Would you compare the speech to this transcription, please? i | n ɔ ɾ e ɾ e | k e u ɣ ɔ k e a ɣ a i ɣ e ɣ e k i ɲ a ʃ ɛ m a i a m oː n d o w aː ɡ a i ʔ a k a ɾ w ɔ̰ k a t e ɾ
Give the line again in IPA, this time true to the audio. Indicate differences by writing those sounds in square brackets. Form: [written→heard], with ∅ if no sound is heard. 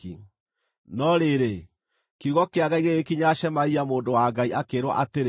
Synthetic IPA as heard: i | n ɔ ɾ e ɾ e | k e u ɣ ɔ k e a ɣ a i ɣ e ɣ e k i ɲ a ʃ ɛ m a i a m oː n d o w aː ɡ a i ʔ a k [a→e] ɾ w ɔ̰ [k→ʔ] a t e ɾ